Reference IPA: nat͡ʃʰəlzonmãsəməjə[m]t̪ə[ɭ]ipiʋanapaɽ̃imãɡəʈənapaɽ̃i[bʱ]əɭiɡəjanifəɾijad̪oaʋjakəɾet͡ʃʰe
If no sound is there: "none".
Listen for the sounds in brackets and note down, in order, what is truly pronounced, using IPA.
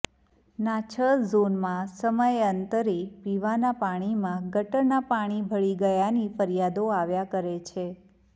n, ɾ, bʱ

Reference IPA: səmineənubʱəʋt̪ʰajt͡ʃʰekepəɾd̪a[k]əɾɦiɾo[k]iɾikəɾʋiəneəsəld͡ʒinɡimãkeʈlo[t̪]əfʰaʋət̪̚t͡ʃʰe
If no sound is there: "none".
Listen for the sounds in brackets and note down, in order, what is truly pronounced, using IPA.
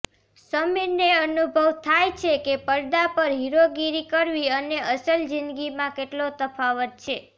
p, ɡ, t̪

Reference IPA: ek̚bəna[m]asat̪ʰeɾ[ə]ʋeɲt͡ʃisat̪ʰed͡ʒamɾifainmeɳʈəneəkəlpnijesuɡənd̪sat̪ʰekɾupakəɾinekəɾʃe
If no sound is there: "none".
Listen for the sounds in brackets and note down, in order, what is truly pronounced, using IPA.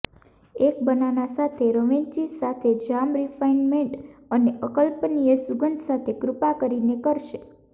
n, ə

